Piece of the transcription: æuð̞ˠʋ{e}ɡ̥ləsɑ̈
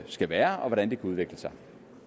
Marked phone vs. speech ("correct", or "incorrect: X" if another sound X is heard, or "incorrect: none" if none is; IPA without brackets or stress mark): correct